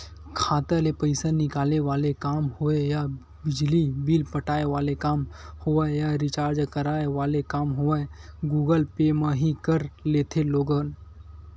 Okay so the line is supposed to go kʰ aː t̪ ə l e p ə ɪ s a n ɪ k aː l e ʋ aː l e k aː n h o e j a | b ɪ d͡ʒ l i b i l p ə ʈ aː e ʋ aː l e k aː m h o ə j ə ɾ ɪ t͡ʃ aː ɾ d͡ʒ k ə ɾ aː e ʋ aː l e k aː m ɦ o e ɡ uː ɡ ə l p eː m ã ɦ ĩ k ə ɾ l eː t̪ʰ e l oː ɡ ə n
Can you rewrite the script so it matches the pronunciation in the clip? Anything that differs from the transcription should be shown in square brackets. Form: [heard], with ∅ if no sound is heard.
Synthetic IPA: kʰ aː t̪ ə l e p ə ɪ s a n ɪ k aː l e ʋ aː l e k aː [m] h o e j a | b ɪ d͡ʒ l i b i l p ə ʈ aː e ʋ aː l e k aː m h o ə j [a] ɾ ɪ t͡ʃ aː ɾ d͡ʒ k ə ɾ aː e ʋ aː l e k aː m ɦ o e ɡ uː ɡ ə l p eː m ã ɦ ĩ k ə ɾ l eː t̪ʰ e l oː ɡ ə n